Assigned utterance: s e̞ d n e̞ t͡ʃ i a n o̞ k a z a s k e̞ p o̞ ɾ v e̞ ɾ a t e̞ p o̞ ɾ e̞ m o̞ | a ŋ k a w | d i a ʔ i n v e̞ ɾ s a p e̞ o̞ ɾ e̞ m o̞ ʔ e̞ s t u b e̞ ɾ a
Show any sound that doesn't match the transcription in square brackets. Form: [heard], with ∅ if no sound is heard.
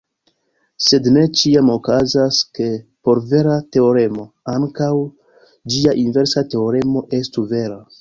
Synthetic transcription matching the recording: s e̞ d n e̞ t͡ʃ i a [m] o̞ k a z a s k e̞ p o̞ ɾ v e̞ ɾ a t e̞ [∅] o̞ ɾ e̞ m o̞ | a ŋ k a w | [d͡ʒ] i a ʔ i n v e̞ ɾ s a [t] e̞ o̞ ɾ e̞ m o̞ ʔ e̞ s t u [v] e̞ ɾ a